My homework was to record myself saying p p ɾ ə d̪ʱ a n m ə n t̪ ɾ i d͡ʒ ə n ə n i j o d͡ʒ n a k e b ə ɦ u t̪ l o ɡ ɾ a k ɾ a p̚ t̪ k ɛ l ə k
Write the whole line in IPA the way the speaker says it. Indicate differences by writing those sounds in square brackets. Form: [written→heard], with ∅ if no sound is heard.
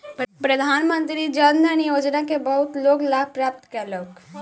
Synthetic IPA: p p ɾ ə d̪ʱ a n m ə n t̪ ɾ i d͡ʒ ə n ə n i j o d͡ʒ n a k e b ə ɦ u t̪ l o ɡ [ɾ→l] a [k→p] ɾ a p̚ t̪ k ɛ l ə k